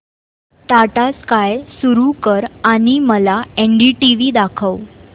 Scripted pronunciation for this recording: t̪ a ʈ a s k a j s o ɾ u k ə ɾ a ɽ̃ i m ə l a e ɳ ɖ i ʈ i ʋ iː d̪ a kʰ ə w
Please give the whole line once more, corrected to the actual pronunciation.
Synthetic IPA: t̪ a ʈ a s k a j s u ɾ u k ə ɾ a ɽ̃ i m ə l a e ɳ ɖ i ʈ i ʋ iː d̪ a kʰ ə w

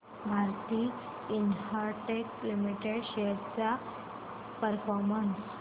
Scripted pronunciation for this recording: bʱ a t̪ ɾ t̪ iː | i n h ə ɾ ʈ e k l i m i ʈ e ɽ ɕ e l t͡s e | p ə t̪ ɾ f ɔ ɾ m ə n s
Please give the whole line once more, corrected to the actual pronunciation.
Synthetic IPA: bʱ a ɾ t̪ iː | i n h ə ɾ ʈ e k l i m i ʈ e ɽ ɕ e ɾ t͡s a | p ə ɾ f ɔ ɾ m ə n s

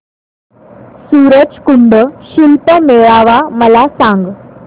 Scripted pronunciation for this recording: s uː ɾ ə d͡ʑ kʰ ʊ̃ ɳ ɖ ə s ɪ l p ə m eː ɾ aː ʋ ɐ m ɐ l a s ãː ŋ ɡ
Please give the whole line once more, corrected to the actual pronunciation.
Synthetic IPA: s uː ɾ ə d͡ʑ k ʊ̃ ɳ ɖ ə ʃ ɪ l p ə m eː ɭ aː ʋ a m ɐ l a s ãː ŋ ɡ

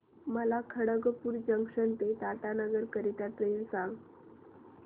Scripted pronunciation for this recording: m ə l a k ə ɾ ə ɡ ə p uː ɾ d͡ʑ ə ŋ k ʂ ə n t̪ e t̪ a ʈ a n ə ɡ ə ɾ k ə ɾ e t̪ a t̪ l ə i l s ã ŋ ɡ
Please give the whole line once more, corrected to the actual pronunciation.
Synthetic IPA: m ə l a kʰ ə ɽ ə ɡ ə p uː ɾ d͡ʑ ə ŋ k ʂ ə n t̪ e t̪ a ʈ a n ə ɡ ə ɾ k ə ɾ i t̪ a t̪ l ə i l s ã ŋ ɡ

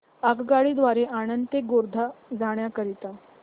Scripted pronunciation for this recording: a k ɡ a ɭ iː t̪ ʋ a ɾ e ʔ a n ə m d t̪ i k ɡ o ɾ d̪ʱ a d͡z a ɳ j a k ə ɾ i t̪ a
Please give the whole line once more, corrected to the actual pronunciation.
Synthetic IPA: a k ɡ a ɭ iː d̪ ʋ a ɾ e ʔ a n ə n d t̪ e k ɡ o ɾ d̪ʱ a d͡z a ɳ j a k ə ɾ i t̪ a

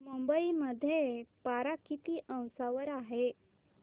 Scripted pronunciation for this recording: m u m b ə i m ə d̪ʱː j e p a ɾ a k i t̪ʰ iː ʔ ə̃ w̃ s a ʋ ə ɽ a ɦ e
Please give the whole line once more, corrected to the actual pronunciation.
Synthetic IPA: m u m b ə i m ə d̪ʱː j e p a ɾ a k i t̪ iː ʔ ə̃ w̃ s a ʋ ə ɾ a ɦ e

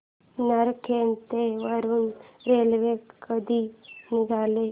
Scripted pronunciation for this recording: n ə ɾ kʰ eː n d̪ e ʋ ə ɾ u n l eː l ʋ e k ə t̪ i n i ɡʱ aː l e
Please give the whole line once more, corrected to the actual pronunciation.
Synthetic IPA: n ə ɾ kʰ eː n t̪ e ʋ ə ɾ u n ɾ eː l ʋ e k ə d̪ i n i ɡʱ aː l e

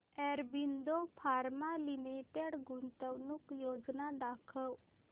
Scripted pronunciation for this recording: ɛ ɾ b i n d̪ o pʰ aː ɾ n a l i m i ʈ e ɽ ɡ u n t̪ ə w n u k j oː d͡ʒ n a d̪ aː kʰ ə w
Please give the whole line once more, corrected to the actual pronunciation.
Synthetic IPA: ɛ ɾ b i n d̪ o pʰ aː ɾ m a l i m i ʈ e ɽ ɡ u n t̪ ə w n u k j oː d͡ʒ n a d̪ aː kʰ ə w

